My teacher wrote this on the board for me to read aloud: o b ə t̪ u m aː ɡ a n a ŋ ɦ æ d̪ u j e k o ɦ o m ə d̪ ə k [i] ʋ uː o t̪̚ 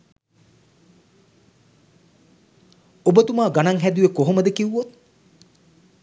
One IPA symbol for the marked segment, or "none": i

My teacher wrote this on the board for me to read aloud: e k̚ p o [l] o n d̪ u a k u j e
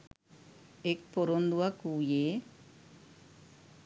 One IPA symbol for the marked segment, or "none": ɾ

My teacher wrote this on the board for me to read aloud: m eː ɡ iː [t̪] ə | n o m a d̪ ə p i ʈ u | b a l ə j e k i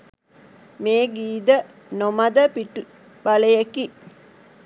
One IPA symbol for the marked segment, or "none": d̪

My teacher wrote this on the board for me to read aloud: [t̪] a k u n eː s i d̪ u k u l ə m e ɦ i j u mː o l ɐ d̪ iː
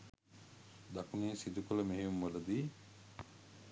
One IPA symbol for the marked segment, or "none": d̪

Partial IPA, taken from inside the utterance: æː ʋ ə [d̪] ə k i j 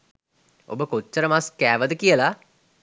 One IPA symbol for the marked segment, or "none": d̪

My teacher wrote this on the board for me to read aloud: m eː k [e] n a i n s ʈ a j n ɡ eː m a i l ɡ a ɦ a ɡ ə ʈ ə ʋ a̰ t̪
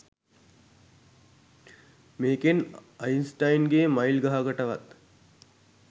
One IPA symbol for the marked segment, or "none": e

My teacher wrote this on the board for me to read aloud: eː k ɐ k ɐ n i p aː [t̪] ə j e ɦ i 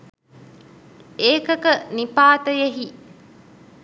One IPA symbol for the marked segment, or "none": t̪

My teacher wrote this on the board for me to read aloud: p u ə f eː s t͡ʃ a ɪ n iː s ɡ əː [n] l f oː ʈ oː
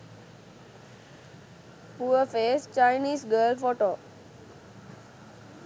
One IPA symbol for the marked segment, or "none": none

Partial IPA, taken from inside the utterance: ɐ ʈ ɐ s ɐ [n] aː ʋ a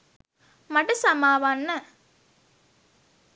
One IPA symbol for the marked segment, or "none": m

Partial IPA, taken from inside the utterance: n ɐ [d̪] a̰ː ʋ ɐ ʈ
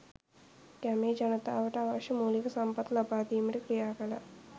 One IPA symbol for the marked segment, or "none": t̪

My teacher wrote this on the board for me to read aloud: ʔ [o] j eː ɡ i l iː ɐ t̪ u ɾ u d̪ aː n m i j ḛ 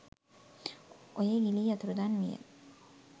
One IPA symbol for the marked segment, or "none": o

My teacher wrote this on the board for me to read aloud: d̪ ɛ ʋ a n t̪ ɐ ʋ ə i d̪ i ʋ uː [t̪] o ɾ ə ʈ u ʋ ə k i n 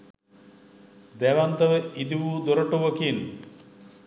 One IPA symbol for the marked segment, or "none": d̪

